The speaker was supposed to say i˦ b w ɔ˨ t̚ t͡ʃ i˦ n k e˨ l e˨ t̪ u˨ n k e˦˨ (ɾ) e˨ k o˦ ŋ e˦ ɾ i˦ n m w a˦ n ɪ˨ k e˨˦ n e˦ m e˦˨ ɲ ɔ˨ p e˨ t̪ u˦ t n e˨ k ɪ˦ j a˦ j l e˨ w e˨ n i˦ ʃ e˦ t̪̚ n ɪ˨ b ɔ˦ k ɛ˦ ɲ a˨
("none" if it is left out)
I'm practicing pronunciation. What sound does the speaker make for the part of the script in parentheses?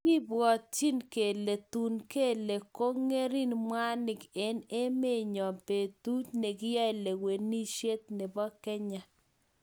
l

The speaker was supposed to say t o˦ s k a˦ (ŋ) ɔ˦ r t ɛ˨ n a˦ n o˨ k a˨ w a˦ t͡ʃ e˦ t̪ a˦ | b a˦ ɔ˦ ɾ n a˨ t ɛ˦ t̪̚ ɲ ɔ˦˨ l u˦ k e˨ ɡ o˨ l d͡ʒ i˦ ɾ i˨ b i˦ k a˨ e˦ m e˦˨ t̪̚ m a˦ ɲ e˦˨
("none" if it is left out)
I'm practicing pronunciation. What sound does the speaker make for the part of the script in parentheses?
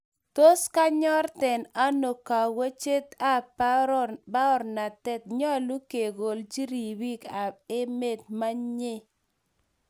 ɲ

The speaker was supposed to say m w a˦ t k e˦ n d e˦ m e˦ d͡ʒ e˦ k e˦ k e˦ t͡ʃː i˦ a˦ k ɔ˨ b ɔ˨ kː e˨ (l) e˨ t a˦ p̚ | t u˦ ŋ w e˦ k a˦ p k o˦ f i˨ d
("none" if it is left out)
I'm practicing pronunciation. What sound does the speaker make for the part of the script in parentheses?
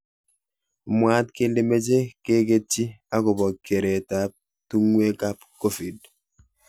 ɾ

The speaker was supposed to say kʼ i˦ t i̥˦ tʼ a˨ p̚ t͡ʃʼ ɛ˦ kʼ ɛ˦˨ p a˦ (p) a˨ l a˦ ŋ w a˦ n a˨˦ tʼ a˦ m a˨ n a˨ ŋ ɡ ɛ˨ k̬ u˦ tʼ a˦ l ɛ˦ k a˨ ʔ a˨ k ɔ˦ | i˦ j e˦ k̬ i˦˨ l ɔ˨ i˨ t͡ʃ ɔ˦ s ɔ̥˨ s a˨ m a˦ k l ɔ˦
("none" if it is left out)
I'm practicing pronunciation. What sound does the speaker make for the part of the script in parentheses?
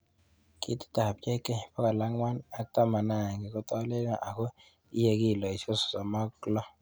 k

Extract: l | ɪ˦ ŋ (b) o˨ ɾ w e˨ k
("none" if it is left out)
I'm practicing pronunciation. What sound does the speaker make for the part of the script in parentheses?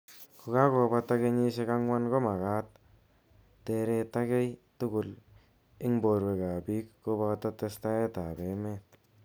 b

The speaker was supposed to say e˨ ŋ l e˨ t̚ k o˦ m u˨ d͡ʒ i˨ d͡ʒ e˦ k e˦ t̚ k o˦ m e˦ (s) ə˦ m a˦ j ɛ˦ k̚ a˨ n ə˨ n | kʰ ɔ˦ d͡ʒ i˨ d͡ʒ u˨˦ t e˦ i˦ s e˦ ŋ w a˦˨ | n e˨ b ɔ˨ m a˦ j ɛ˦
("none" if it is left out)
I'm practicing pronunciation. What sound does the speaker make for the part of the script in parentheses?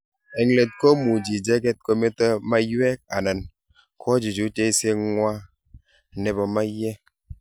t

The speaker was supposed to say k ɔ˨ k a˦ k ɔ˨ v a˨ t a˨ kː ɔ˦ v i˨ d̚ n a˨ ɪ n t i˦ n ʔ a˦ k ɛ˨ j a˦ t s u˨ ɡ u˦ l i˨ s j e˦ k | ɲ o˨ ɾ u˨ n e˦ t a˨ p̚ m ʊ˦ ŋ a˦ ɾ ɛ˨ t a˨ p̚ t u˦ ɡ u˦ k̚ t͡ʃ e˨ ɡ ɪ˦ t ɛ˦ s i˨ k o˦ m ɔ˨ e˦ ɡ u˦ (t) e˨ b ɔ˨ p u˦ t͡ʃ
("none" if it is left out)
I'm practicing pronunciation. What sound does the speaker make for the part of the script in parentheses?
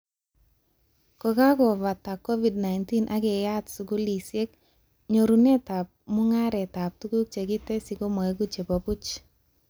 t͡ʃ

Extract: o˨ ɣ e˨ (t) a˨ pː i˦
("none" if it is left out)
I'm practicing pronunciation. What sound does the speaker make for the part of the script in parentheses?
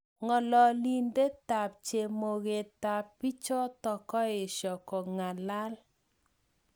t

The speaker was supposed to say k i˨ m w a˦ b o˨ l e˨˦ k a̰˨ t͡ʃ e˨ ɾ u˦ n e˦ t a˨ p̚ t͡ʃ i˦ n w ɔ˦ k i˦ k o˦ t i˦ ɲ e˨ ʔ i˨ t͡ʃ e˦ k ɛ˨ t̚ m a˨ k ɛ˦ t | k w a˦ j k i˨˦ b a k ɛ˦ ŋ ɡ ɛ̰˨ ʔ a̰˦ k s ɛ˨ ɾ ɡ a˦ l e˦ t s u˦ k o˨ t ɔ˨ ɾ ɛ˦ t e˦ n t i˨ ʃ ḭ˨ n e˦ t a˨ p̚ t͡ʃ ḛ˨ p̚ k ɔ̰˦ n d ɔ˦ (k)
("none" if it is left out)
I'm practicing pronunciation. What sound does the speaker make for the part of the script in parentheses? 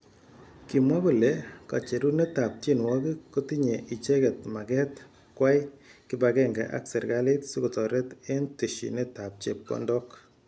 k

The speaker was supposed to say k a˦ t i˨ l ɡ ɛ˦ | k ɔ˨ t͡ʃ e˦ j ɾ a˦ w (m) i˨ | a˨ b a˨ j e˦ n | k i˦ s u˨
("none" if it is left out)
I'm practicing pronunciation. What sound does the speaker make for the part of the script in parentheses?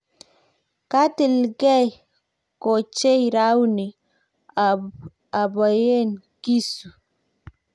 n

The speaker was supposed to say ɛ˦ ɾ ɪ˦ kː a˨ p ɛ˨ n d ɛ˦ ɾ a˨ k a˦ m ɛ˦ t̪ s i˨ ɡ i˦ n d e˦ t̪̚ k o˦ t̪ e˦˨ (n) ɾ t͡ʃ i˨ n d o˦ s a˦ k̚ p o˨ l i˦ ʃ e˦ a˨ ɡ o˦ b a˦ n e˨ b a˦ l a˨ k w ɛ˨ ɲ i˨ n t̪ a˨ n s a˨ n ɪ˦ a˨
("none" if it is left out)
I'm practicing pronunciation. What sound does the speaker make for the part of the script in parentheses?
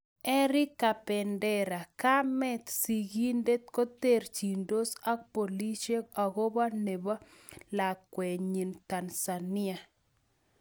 none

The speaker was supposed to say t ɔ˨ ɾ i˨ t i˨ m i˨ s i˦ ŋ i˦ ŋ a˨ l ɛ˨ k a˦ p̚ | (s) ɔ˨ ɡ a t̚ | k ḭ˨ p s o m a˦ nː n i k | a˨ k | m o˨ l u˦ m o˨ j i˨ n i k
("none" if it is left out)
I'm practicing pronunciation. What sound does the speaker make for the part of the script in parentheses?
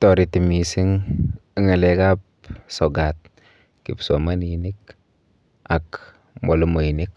s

